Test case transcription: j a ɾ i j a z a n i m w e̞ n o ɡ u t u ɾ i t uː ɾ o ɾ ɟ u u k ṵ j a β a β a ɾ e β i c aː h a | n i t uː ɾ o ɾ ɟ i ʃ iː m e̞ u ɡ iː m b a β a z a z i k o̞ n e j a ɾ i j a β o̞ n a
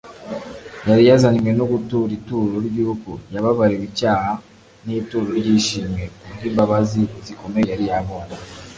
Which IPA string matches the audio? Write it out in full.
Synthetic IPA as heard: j a ɾ i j a z a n i m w e̞ n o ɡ u t u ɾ i t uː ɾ o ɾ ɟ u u k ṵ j a β a β a ɾ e β i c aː h a | n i t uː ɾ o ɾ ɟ i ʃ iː m e̞ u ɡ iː m b a β a z i z i k o̞ m e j a ɾ i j a β o̞ n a